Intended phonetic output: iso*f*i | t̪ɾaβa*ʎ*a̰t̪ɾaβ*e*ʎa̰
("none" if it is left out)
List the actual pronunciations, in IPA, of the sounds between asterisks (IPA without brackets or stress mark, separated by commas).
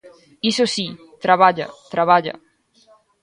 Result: s, ʎ, a